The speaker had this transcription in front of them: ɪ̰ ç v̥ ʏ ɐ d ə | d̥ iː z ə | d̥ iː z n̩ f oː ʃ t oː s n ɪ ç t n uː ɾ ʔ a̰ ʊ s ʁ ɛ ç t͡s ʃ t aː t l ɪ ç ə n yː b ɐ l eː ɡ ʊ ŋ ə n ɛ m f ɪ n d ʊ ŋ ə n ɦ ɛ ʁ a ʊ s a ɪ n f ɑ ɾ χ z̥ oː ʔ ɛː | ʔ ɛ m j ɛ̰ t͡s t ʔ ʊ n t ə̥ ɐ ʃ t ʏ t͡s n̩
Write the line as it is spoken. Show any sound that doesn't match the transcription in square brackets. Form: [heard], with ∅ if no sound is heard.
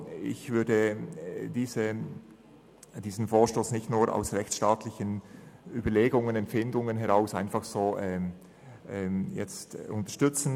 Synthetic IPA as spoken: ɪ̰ ç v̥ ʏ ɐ d ə | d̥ iː z ə | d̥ iː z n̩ f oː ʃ t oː s n ɪ ç t n uː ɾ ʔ a̰ ʊ s ʁ ɛ ç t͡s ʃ t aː t l ɪ ç ə n yː b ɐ l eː ɡ ʊ ŋ ə n ɛ m f ɪ n d ʊ ŋ ə n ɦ ɛ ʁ a ʊ s a ɪ n f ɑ [∅] χ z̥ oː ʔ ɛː | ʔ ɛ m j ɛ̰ t͡s t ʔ ʊ n t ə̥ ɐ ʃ t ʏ t͡s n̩